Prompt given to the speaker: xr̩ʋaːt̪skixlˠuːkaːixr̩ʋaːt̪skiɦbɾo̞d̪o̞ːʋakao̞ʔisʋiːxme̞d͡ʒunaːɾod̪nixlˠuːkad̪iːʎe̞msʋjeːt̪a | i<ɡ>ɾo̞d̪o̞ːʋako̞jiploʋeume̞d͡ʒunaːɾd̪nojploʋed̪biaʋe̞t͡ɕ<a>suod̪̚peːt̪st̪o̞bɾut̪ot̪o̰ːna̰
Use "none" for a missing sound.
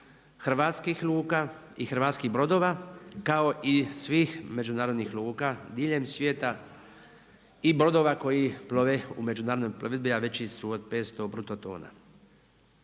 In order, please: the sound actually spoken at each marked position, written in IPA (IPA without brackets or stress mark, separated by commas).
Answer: b, i